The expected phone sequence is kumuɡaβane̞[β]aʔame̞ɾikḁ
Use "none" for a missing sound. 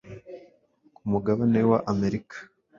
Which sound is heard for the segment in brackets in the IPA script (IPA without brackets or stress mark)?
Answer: w